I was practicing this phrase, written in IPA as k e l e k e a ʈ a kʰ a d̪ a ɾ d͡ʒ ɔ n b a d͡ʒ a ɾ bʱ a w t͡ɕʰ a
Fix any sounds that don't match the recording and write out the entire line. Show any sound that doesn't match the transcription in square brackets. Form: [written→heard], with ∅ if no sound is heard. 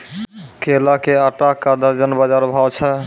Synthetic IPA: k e l [e→a] k e a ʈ a [kʰ→k] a d̪ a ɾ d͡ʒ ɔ n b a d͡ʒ a ɾ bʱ a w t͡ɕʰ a

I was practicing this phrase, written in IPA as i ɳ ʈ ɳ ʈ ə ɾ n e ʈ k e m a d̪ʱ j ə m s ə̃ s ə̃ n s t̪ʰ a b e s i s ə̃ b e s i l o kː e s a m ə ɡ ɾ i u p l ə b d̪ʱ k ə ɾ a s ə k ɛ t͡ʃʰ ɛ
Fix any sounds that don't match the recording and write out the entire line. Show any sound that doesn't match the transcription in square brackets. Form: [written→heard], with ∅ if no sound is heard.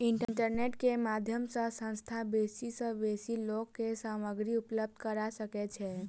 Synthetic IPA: i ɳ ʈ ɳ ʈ ə ɾ n e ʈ k e m a d̪ʱ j ə m s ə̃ s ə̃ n s t̪ʰ a b e s i s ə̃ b e s i l o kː e s a m ə ɡ ɾ i u p l ə b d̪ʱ k ə ɾ a s ə k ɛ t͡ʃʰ ɛ

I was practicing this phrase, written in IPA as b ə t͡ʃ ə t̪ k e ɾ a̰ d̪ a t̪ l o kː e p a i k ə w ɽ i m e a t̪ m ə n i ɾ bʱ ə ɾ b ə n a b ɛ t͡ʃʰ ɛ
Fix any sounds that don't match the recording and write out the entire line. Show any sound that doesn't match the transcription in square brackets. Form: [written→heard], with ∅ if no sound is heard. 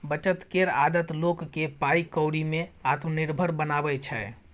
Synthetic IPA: b ə t͡ʃ ə t̪ k e ɾ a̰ d̪ [a→ə] t̪ l o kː e p a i k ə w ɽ i m e a t̪ m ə n i ɾ bʱ ə ɾ b ə n a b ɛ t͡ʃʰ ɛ

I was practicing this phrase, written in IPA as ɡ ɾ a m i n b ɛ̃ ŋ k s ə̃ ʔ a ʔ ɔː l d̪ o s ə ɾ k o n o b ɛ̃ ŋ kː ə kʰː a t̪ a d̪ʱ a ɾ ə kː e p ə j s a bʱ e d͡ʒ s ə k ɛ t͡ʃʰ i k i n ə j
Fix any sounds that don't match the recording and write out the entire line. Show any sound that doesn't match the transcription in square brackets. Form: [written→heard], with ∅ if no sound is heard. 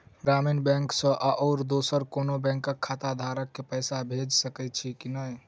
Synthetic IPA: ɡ ɾ a m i n b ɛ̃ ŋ k s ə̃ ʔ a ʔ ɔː [l→ɾ] d̪ o s ə ɾ k o n o b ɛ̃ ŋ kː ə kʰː a t̪ a d̪ʱ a ɾ ə kː e p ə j s a bʱ e d͡ʒ s ə k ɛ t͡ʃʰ i k i n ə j

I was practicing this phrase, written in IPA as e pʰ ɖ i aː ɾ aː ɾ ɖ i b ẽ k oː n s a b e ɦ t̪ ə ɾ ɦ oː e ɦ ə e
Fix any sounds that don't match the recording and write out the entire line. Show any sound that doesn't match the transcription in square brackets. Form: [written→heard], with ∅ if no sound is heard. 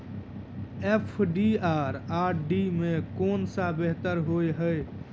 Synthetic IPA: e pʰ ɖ i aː ɾ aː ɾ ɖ i [b→m] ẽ k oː n s a b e ɦ t̪ ə ɾ ɦ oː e ɦ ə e

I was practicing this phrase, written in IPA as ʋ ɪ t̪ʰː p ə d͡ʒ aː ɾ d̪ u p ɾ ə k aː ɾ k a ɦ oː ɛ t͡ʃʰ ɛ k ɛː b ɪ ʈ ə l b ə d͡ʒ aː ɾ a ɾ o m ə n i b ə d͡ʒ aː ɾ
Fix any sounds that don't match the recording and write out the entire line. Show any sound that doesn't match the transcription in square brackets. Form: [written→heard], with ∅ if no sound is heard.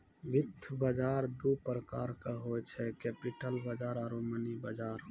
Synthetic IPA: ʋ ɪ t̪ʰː [p→b] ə d͡ʒ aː ɾ d̪ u p ɾ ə k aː ɾ k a ɦ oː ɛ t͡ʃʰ ɛ k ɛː [b→p] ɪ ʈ ə l b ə d͡ʒ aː ɾ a ɾ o m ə n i b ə d͡ʒ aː ɾ

